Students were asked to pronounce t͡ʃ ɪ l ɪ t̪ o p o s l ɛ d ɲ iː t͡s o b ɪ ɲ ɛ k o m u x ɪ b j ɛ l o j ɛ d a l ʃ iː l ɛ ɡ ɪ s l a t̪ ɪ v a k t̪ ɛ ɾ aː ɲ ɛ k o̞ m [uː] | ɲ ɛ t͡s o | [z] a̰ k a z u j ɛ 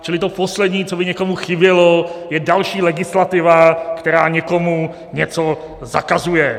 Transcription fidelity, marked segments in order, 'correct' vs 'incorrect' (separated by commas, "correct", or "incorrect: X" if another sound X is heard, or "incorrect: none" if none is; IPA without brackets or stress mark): incorrect: u, correct